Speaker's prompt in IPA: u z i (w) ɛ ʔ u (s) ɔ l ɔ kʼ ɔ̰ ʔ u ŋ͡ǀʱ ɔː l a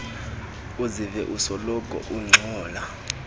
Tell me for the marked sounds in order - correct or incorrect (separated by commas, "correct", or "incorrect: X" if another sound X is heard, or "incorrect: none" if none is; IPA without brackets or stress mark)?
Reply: incorrect: v, correct